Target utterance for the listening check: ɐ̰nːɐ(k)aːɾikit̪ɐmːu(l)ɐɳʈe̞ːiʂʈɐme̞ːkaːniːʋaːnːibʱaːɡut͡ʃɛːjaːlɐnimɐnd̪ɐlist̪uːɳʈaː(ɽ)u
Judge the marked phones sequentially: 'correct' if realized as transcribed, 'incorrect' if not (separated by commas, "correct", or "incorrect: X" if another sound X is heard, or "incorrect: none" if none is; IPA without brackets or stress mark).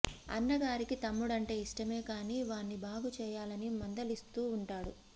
incorrect: ɡ, incorrect: ɽ, correct